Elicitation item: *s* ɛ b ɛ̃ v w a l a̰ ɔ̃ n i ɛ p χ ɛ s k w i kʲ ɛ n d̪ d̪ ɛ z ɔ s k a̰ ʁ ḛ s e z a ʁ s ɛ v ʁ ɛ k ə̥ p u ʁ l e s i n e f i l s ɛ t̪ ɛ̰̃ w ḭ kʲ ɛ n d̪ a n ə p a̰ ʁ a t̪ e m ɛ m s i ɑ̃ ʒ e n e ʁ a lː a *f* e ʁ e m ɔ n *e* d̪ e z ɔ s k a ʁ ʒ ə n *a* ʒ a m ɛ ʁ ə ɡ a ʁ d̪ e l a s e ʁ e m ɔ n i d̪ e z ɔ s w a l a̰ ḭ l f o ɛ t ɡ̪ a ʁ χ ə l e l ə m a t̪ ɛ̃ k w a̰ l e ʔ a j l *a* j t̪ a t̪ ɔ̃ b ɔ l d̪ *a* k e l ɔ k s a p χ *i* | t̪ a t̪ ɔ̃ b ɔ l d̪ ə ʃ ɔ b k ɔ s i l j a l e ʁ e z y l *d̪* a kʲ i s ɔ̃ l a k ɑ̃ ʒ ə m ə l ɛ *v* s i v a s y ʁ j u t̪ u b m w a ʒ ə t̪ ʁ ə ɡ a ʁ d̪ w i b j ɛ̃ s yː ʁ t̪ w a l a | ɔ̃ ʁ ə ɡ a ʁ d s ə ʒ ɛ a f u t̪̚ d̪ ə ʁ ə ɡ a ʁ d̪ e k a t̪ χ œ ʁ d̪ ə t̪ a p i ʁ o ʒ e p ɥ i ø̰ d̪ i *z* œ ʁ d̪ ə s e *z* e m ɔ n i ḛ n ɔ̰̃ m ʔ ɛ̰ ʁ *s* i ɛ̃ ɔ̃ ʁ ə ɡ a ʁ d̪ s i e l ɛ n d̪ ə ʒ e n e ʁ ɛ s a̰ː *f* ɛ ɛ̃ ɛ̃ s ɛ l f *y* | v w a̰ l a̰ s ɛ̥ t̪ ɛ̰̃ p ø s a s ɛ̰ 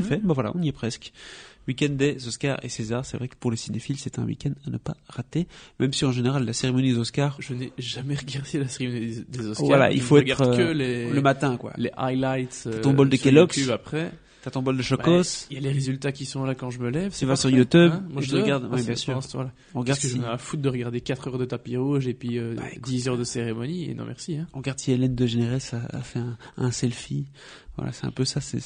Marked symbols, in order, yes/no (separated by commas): no, no, no, no, yes, no, no, no, yes, yes, no, yes, yes, no